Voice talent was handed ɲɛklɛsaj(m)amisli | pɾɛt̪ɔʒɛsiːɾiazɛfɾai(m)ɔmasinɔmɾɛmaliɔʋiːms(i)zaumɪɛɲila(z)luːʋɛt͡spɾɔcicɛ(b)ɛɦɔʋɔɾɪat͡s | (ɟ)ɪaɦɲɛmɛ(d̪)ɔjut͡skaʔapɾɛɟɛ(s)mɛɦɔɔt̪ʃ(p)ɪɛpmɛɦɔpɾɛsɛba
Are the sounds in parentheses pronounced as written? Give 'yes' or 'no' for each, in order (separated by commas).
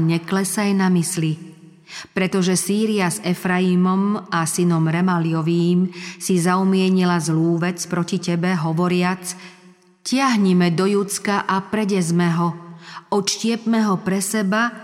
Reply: no, yes, yes, yes, yes, no, yes, no, no